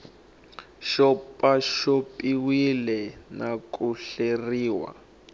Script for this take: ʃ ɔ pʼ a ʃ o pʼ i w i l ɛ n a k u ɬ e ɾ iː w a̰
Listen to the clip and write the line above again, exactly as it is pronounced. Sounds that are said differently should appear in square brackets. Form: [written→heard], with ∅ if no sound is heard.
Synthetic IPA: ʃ ɔ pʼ a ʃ o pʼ i w i l ɛ n a k u ɬ e [ɾ→r] iː w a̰